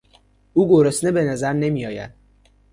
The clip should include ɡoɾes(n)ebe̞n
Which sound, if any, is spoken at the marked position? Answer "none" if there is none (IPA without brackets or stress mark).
n